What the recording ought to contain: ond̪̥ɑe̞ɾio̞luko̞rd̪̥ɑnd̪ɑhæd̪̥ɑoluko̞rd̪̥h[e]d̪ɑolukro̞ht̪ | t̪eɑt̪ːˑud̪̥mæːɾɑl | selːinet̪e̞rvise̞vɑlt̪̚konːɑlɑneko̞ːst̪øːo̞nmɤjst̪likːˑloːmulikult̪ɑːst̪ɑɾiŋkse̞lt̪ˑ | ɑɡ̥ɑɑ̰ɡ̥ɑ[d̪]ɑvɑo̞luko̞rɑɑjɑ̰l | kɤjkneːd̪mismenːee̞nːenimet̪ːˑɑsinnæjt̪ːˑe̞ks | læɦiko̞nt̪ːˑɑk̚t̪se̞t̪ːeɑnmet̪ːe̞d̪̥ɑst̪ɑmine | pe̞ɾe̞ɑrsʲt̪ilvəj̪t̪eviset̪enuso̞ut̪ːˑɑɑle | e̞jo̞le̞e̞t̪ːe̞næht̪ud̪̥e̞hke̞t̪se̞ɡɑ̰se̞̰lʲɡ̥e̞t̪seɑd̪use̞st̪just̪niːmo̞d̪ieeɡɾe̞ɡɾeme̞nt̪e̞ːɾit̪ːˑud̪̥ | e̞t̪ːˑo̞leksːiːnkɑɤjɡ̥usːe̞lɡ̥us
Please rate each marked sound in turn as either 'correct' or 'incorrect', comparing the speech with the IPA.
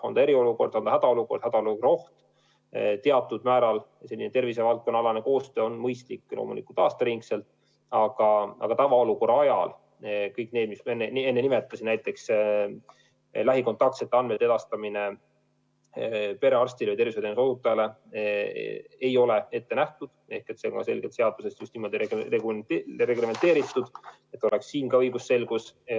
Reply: incorrect: æ, incorrect: t̪

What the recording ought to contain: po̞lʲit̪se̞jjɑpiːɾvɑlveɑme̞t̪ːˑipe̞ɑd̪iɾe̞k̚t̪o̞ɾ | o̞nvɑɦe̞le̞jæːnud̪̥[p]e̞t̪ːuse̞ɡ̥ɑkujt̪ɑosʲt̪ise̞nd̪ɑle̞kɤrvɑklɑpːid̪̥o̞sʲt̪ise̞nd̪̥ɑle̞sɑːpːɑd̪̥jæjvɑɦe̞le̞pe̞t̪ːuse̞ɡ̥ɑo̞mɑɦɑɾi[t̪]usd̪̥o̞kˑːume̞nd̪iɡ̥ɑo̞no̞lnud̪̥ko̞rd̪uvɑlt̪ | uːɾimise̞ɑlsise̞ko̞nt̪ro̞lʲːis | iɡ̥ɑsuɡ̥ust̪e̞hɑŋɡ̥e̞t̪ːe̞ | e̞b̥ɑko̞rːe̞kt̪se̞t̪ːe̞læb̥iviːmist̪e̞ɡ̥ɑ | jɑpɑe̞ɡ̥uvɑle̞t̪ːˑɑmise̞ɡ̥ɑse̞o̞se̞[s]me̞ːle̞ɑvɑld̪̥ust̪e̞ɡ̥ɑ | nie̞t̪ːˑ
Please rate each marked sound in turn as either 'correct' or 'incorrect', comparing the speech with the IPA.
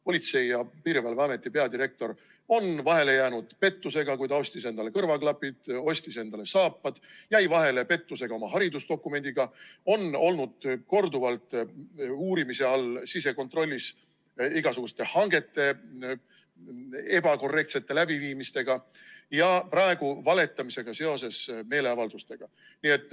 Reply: correct, incorrect: d̪, correct

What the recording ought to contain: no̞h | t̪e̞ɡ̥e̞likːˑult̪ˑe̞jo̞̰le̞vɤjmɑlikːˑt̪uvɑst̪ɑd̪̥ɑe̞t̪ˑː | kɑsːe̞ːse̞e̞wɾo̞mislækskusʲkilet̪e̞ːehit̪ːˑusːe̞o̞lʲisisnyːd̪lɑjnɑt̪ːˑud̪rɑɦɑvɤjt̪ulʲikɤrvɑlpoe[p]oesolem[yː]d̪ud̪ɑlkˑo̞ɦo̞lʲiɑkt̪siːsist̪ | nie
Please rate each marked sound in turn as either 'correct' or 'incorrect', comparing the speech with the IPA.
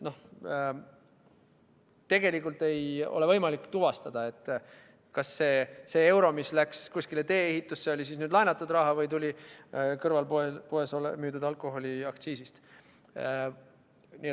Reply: correct, correct

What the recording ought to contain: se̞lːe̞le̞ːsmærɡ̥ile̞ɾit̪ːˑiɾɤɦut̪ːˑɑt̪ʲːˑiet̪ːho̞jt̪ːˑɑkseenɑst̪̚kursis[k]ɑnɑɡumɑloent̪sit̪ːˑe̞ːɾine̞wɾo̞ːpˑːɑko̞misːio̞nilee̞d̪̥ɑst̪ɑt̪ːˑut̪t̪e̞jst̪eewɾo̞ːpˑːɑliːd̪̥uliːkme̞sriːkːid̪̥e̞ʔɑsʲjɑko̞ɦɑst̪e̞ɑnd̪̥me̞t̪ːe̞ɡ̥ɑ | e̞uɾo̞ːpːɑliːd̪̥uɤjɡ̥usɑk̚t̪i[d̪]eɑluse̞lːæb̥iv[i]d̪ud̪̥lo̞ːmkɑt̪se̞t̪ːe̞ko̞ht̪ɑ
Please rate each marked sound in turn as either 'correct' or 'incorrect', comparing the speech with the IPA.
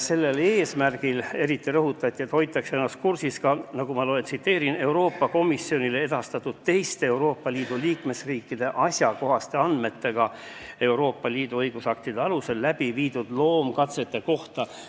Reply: correct, correct, incorrect: iː

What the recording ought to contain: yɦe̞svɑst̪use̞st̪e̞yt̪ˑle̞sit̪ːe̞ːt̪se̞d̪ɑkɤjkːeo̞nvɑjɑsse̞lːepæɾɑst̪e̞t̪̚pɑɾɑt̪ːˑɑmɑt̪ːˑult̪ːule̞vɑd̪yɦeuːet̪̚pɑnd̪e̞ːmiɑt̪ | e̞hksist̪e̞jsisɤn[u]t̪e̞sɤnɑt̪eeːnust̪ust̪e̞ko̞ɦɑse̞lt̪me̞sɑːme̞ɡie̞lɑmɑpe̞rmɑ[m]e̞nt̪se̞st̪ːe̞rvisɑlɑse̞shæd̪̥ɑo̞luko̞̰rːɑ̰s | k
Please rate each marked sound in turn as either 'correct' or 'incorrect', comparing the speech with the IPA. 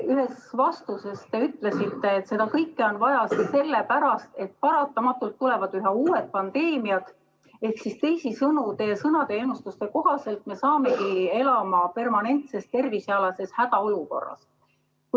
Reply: correct, incorrect: n

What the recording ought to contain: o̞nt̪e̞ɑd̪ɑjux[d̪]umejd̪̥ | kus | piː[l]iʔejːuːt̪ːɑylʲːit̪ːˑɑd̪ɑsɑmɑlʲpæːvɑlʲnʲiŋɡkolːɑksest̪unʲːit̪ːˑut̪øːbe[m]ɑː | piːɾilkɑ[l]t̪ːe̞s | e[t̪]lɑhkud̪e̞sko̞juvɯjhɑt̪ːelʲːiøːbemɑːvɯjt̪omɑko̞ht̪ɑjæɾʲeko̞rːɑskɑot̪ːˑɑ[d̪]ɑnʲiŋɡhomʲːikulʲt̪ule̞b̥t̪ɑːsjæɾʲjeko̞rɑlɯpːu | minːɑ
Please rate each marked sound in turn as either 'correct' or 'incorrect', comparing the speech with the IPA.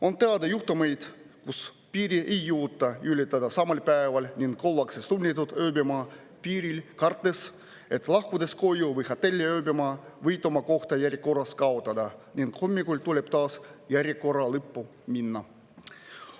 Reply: incorrect: t̪, incorrect: ɾ, correct, incorrect: r, correct, correct

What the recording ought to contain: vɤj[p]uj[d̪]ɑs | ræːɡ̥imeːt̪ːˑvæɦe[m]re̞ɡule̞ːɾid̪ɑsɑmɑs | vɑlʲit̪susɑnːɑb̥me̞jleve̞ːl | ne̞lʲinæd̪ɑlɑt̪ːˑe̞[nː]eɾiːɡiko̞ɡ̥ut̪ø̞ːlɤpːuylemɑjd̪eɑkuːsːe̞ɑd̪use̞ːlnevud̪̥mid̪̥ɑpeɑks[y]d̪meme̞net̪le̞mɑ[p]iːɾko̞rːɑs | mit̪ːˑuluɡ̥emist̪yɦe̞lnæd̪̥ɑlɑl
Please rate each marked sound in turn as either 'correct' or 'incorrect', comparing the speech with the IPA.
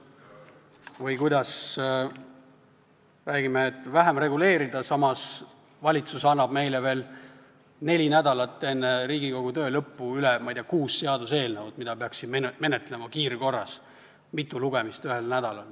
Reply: incorrect: k, correct, correct, correct, incorrect: i, incorrect: k

